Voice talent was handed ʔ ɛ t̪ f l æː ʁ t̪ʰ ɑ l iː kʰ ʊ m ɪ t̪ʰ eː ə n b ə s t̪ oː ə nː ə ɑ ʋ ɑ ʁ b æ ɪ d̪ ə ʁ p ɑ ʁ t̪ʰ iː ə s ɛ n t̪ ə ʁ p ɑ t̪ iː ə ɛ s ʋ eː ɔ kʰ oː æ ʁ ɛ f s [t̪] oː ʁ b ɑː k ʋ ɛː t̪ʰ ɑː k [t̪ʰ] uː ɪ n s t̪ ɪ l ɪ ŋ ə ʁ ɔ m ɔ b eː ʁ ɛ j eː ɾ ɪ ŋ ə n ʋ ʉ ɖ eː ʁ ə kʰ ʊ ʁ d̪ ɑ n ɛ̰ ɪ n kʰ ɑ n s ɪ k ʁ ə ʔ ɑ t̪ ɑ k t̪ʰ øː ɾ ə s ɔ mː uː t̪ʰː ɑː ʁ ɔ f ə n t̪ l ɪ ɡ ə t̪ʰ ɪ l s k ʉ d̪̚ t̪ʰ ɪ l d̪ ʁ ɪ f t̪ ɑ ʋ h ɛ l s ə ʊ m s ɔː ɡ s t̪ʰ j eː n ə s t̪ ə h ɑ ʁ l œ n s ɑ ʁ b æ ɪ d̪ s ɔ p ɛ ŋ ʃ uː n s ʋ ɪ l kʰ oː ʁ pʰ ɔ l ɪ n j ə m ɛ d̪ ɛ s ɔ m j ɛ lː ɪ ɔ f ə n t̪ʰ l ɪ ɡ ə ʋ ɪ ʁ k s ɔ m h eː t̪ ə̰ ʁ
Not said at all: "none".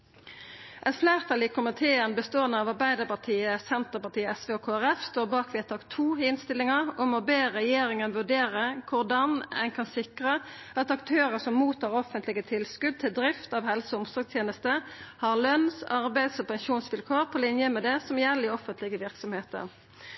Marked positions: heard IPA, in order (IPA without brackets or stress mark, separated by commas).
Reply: t̪, t̪ʰ